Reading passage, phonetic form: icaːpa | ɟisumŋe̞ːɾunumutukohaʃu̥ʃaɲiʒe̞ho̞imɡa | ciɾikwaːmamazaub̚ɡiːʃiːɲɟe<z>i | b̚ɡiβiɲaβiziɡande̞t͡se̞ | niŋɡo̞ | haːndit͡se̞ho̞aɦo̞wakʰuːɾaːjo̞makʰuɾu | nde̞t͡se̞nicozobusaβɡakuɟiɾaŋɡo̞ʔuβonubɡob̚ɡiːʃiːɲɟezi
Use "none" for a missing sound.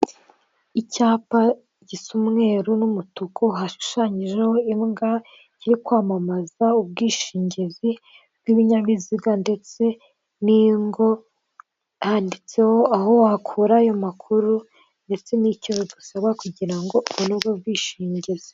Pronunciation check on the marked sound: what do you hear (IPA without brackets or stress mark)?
z